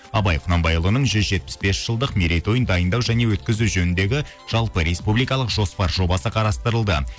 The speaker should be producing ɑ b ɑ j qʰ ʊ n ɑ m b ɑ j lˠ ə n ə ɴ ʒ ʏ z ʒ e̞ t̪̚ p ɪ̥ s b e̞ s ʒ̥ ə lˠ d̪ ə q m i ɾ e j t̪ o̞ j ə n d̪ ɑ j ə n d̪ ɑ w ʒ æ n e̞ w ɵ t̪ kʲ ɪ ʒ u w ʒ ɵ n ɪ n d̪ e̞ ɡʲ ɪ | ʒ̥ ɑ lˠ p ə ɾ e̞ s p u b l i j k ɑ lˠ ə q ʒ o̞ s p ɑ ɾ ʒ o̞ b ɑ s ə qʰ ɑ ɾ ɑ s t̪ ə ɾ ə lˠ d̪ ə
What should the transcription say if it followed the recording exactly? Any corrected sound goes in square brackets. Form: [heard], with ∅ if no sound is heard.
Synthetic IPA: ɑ b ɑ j qʰ ʊ n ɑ m b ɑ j lˠ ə n ə ɴ ʒ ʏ z ʒ e̞ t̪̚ p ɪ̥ s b e̞ s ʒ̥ ə lˠ d̪ ə q m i ɾ e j t̪ o̞ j ə n d̪ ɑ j ə n d̪ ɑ w ʒ æ n e̞ w ɵ t̪ kʲ ɪ [z] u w ʒ ɵ n ɪ n d̪ e̞ ɡʲ ɪ | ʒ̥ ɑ lˠ p ə ɾ e̞ s p u b l i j k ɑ lˠ ə q ʒ o̞ s p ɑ ɾ ʒ o̞ b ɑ s ə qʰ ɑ ɾ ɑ s t̪ ə ɾ ə lˠ d̪ ə